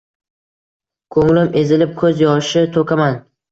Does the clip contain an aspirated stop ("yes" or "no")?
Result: yes